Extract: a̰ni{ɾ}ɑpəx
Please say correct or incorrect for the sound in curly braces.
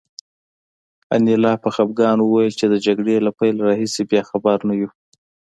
incorrect: l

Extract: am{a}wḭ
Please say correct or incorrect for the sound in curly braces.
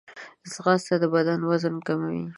correct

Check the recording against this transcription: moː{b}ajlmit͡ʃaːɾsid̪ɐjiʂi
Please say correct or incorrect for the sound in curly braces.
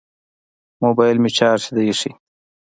correct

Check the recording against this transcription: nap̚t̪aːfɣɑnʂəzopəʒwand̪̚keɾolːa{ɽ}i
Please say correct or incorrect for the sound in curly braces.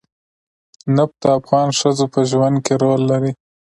incorrect: ɾ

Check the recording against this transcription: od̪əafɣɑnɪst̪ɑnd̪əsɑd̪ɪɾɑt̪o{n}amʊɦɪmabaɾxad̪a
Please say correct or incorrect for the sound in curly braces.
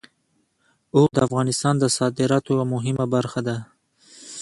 incorrect: none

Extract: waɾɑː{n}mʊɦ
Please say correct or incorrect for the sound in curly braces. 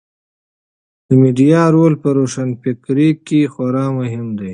incorrect: none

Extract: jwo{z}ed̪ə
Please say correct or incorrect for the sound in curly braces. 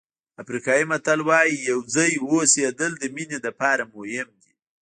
incorrect: s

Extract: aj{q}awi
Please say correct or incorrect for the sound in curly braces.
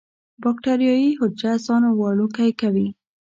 incorrect: k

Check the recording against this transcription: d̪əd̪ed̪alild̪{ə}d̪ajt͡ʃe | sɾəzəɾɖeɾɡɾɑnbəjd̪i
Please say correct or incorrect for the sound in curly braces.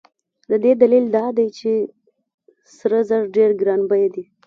incorrect: ɑ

